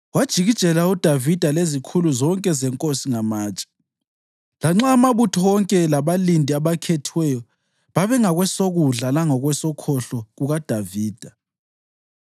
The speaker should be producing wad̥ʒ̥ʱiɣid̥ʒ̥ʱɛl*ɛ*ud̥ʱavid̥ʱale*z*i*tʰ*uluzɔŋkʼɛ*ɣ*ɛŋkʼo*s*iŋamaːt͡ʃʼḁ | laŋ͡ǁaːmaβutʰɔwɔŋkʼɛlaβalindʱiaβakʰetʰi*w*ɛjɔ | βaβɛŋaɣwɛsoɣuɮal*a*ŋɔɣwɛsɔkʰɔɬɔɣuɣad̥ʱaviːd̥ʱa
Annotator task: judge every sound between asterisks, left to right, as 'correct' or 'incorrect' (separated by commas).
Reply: incorrect, correct, incorrect, incorrect, correct, correct, correct